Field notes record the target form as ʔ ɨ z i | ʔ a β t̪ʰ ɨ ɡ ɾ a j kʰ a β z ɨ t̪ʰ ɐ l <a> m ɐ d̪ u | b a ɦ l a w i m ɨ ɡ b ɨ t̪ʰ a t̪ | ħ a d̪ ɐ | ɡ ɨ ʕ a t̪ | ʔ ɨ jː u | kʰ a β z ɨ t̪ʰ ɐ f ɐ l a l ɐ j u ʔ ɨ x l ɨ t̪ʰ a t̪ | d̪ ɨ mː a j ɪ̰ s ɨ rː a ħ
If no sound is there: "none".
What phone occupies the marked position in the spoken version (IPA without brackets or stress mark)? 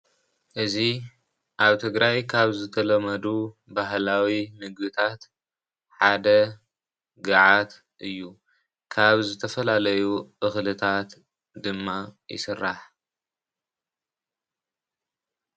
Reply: ɐ